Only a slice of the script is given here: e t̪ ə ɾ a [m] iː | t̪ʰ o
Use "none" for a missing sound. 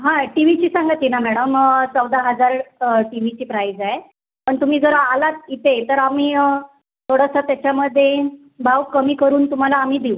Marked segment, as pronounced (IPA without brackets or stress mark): m